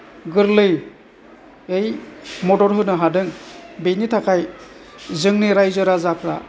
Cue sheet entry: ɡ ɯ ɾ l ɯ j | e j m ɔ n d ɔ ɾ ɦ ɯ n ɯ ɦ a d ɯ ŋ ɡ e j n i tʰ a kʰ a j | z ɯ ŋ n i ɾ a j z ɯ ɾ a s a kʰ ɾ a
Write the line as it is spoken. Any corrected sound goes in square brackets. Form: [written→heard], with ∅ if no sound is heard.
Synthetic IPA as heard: ɡ ɯ ɾ l ɯ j | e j m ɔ [n→∅] d ɔ ɾ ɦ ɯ n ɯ ɦ a d ɯ ŋ [ɡ→b] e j n i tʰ a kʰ a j | z ɯ ŋ n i ɾ a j z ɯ ɾ a [s→z] a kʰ ɾ a